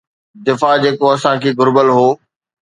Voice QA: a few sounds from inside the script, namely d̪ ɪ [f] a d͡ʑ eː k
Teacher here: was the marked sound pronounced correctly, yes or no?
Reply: yes